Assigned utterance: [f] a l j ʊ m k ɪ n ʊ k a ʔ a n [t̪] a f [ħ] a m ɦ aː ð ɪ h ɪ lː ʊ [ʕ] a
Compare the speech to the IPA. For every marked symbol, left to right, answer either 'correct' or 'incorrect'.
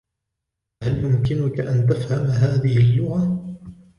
incorrect, correct, incorrect, incorrect

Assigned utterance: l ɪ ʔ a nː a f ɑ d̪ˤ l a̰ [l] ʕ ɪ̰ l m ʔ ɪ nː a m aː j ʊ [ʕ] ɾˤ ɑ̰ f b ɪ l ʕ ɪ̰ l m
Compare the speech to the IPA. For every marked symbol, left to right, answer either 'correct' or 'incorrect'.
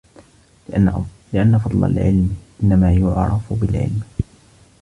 correct, correct

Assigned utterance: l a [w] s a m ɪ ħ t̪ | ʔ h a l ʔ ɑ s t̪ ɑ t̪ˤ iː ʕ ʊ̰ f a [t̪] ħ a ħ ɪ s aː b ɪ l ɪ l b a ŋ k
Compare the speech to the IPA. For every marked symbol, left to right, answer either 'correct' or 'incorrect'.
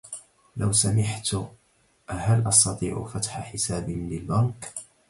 correct, correct

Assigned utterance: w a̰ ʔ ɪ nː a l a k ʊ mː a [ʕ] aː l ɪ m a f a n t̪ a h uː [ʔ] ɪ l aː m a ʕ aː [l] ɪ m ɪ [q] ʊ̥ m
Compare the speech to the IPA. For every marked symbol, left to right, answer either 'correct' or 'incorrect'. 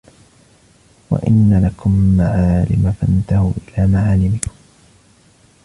correct, correct, correct, incorrect

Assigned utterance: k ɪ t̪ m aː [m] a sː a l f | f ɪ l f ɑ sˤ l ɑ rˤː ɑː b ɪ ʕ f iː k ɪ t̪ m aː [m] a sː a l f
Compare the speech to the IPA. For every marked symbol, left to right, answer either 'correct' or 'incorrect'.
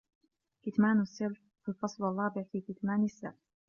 incorrect, incorrect

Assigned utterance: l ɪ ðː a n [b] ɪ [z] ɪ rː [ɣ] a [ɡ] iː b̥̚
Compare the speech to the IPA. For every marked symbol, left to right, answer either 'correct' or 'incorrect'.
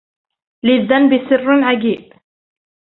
correct, incorrect, incorrect, correct

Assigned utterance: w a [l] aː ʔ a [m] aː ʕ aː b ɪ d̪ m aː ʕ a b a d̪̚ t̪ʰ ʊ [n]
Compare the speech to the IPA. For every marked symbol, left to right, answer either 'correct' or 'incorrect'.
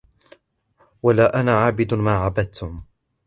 correct, incorrect, incorrect

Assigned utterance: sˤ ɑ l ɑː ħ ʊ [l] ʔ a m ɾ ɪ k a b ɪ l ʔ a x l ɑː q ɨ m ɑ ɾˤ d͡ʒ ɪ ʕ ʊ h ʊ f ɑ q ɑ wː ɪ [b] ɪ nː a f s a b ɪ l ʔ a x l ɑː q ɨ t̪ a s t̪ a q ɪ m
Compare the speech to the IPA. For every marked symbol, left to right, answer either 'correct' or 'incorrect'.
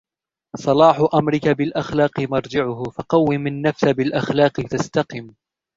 incorrect, incorrect

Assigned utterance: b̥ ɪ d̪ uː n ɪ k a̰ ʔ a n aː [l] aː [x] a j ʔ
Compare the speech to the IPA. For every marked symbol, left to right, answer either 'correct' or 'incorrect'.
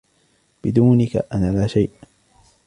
correct, incorrect

